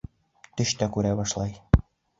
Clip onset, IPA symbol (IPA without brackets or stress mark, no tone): t̪